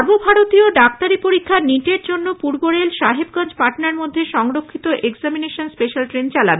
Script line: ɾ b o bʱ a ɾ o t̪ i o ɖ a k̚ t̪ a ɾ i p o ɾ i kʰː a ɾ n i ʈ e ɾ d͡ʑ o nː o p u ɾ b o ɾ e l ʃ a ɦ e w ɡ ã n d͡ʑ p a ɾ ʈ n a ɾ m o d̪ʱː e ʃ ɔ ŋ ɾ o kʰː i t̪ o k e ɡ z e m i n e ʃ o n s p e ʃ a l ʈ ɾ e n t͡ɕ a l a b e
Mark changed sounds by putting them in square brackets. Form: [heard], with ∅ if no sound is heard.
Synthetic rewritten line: ɾ b o bʱ a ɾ o t̪ i o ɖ a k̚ t̪ a ɾ i p o ɾ i kʰː a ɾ n i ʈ e ɾ d͡ʑ o nː o p u ɾ b o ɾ e l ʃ a ɦ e [b] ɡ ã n d͡ʑ p a ɾ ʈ n a ɾ m o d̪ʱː e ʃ ɔ ŋ ɾ o kʰː i t̪ o [ʔ] e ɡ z [a] m i n e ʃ o n s p e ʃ a l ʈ ɾ e n t͡ɕ a l a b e